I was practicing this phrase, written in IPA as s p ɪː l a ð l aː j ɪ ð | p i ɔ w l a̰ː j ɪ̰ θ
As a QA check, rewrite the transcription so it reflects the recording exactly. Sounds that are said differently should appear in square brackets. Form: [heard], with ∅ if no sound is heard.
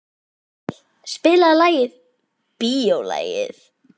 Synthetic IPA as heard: s p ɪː l a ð l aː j ɪ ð | p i [o] w l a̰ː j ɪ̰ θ